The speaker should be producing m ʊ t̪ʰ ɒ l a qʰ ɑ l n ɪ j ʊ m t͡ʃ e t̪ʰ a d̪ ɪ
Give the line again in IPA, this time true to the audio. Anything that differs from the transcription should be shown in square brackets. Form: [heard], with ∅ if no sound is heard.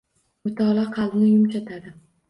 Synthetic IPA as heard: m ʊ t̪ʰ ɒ l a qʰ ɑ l n ɪ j ʊ m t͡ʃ [a] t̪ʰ a d̪ ɪ

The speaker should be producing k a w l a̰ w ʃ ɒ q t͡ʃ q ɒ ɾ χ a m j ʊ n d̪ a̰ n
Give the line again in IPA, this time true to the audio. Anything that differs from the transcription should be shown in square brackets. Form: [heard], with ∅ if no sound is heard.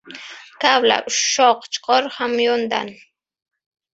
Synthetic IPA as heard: k a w l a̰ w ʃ [o] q t͡ʃ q [o] ɾ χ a m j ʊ n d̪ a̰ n

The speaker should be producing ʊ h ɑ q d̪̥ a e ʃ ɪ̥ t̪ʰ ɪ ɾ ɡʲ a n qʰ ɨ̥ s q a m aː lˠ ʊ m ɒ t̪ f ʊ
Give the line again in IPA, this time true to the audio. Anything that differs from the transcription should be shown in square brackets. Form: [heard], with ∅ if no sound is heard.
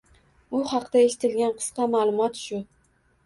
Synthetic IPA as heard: ʊ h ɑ q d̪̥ a e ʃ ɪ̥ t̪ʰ ɪ [l] ɡʲ a n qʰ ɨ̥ s q [ɑ] m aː lˠ ʊ m ɒ t̪ [ʃ] ʊ

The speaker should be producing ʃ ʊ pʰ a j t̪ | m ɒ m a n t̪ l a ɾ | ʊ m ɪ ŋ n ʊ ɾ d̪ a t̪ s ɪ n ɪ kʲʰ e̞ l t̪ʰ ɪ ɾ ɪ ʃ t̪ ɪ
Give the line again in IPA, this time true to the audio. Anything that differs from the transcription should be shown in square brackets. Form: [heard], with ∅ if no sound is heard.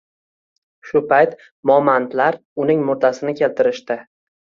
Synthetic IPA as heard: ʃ ʊ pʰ a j t̪ | m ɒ m a n t̪ l a ɾ | ʊ [n] ɪ ŋ [m] ʊ ɾ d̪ a [∅] s ɪ n ɪ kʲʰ e̞ l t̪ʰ ɪ ɾ ɪ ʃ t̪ ɪ

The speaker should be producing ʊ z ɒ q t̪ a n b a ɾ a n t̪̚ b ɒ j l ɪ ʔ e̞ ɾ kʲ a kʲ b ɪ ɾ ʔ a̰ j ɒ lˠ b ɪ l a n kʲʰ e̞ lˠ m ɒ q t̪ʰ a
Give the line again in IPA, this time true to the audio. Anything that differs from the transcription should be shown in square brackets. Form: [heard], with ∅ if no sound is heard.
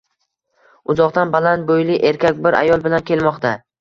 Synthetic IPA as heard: ʊ z ɒ q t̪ a n b a [l] a n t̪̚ b [o] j l ɪ ʔ e̞ ɾ kʲ a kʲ b ɪ ɾ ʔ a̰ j ɒ lˠ b ɪ l a n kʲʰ e̞ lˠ m ɒ q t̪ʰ a

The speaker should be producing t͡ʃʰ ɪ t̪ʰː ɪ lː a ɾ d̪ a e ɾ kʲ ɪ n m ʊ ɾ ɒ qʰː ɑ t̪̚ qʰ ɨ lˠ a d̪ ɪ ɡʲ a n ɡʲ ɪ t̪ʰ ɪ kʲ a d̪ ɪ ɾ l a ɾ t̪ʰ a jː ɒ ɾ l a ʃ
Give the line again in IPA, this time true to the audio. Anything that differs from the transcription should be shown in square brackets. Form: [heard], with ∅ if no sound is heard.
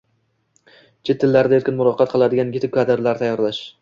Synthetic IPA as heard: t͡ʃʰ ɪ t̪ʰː ɪ lː a ɾ d̪ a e ɾ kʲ ɪ n m ʊ ɾ ɒ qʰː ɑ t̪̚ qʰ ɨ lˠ a d̪ ɪ ɡʲ a n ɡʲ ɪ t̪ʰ ɪ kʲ a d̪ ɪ ɾ l a ɾ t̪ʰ a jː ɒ ɾ l a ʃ

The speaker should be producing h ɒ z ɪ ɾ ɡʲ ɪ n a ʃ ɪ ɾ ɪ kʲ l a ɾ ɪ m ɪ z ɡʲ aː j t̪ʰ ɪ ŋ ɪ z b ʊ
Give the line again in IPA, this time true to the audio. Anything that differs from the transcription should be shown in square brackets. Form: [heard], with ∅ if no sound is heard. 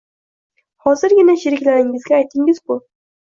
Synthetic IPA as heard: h ɒ z ɪ ɾ ɡʲ ɪ n a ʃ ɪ ɾ ɪ kʲ l a ɾ ɪ [ŋ] ɪ z ɡʲ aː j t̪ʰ ɪ ŋ ɪ z b ʊ

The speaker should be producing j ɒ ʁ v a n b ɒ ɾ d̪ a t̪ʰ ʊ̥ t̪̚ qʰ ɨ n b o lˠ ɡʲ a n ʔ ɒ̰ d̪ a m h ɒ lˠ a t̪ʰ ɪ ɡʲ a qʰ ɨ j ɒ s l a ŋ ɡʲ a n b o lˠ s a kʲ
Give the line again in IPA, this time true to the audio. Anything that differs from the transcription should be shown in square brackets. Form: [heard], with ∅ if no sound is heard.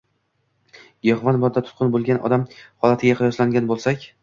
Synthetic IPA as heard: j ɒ ʁ v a n b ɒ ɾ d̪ a t̪ʰ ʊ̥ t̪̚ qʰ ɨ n b o lˠ ɡʲ a n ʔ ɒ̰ d̪ a m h ɒ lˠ a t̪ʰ ɪ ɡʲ a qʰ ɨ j ɒ s l a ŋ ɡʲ a n b o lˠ s a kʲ

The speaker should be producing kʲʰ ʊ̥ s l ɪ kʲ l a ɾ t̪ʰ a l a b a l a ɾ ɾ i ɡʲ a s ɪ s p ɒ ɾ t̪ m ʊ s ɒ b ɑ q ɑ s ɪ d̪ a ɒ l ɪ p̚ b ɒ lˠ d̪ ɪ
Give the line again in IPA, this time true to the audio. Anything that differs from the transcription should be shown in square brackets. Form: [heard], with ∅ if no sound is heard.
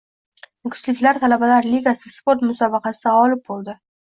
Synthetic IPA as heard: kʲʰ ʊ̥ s l ɪ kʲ l a ɾ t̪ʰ a l a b a l a ɾ [l] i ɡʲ a s ɪ s p [o] ɾ t̪ m ʊ s ɒ b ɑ q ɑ s ɪ d̪ a ɒ l ɪ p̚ b [o] lˠ d̪ ɪ

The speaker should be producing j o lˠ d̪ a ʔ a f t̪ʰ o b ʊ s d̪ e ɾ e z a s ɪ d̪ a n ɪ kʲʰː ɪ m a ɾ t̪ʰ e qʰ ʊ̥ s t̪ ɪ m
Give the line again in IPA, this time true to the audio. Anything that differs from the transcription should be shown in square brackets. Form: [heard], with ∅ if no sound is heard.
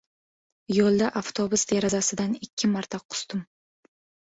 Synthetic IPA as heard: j o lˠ d̪ a ʔ a f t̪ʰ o b ʊ s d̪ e ɾ [a] z a s ɪ d̪ a n ɪ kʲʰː ɪ m a ɾ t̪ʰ [a] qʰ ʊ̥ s t̪ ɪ m

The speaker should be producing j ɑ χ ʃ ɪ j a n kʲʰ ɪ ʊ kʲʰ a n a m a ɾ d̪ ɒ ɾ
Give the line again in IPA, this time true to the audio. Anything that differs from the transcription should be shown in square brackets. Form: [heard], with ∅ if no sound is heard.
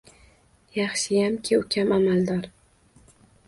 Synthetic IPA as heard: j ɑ χ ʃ ɪ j a [m] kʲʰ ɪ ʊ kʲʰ a [m] a m a [l] d̪ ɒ ɾ

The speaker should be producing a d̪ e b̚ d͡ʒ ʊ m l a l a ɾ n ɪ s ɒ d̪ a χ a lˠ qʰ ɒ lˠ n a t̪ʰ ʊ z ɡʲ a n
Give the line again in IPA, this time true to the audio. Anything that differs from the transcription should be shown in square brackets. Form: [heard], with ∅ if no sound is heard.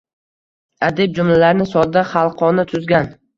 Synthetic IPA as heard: a d̪ e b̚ d͡ʒ ʊ m l a l a ɾ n ɪ s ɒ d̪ a χ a lˠ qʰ ɒ [∅] n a t̪ʰ ʊ z ɡʲ a n

